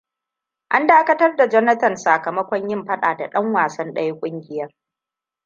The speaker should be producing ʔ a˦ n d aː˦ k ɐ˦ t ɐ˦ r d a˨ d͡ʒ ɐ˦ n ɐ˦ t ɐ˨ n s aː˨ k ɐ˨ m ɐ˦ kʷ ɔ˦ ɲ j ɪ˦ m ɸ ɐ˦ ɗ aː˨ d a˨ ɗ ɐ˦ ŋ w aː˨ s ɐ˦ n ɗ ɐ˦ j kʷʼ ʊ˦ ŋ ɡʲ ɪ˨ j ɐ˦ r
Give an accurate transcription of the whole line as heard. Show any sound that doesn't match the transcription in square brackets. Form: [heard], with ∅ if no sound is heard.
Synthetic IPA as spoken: ʔ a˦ n d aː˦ k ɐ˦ t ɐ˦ r d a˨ d͡ʒ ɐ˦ n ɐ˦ t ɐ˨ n s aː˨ k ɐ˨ m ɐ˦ kʷ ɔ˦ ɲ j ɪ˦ m ɸ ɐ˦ ɗ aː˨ d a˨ ɗ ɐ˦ ŋ w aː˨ s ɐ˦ n ɗ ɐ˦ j kʷʼ ʊ˦ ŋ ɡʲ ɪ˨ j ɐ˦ r